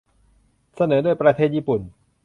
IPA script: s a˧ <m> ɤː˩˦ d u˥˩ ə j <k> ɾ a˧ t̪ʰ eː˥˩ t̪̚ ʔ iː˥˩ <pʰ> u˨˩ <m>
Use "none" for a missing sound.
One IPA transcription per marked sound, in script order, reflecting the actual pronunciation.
n, p, p, n

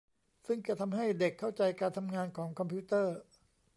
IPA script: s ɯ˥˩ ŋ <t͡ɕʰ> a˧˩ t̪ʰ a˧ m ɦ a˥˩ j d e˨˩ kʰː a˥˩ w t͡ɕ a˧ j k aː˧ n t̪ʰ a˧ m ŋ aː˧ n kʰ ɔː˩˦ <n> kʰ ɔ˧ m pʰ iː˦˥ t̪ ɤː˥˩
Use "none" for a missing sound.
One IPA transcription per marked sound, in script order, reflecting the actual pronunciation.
t͡ɕ, ŋ

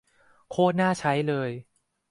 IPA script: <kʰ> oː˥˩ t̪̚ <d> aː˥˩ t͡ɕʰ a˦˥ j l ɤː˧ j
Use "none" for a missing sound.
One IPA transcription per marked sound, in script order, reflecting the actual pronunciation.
kʰ, n

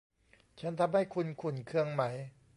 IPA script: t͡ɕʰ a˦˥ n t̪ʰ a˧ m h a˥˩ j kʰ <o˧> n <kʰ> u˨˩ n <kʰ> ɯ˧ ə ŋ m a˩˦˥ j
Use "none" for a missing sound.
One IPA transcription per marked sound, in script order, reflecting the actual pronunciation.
u˧, kʰ, kʰ

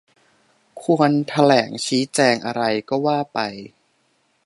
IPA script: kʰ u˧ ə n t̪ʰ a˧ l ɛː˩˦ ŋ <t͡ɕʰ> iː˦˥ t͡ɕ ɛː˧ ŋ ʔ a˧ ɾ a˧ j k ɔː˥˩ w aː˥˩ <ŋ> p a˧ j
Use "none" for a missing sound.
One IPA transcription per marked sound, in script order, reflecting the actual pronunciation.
t͡ɕʰ, none

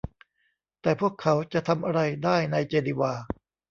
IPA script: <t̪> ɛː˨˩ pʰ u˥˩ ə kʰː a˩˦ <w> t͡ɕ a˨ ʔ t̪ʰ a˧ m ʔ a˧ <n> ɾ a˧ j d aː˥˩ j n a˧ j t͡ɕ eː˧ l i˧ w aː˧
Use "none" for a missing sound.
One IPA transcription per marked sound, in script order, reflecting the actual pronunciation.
t̪, w, none

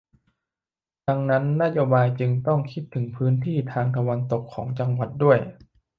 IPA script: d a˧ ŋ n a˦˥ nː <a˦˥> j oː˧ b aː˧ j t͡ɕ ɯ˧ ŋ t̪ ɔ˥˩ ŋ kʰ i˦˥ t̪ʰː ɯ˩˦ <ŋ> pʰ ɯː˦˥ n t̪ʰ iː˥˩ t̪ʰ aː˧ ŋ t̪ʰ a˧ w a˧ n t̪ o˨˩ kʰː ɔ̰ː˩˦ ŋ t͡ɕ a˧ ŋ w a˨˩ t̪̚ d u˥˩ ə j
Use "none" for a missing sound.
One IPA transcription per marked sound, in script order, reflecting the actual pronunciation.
a˦˥, ŋ

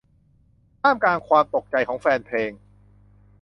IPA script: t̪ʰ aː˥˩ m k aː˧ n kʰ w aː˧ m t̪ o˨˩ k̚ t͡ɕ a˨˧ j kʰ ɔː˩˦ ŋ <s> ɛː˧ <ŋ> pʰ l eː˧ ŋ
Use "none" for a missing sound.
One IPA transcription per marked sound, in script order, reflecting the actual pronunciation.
f, n

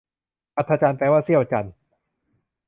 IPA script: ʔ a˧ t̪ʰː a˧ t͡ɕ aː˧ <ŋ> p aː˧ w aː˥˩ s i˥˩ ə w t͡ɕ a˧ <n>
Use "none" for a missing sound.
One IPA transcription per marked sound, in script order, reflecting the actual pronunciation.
n, n

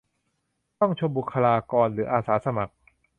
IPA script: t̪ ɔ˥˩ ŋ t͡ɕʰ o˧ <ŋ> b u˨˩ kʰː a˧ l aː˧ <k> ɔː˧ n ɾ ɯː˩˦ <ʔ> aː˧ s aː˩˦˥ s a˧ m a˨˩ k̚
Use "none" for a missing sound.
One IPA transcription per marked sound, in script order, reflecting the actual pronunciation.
m, k, ʔ

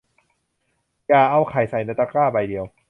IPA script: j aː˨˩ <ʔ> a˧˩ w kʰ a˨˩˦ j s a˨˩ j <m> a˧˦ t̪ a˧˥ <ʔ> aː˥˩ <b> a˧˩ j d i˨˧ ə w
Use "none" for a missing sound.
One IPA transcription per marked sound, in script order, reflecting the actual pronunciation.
ʔ, n, k, b

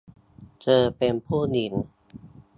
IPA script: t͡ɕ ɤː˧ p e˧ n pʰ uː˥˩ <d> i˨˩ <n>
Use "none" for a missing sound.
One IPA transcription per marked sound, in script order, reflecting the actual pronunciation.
n, n

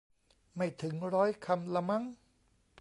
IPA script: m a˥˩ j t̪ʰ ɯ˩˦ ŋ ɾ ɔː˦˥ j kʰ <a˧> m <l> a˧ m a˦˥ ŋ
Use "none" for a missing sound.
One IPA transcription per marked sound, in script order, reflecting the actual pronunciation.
a˧, l

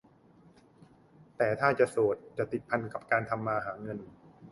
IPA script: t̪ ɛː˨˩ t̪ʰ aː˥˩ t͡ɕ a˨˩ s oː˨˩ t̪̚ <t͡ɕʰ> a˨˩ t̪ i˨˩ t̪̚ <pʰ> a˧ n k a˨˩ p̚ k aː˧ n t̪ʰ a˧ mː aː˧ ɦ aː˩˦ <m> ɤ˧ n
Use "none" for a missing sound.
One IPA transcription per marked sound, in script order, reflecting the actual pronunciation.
t͡ɕ, pʰ, ŋ

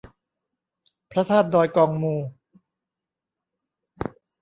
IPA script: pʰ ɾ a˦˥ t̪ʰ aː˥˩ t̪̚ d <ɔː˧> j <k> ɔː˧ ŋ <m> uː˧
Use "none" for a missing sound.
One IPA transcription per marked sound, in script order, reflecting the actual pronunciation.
ɔː˧, k, m

